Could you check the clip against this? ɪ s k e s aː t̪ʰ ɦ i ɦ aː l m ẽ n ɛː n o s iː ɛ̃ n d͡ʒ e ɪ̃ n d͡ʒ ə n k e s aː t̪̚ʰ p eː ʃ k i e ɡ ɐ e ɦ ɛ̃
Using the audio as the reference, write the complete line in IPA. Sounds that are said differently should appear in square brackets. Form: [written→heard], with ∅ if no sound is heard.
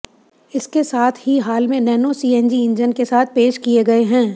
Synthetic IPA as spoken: ɪ s k e s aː t̪ʰ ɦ i ɦ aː l m ẽ n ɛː n o s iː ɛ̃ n d͡ʒ [e→i] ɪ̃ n d͡ʒ ə n k e s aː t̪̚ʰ p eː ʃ k i e ɡ ɐ e ɦ [ɛ̃→ɛ̃ː]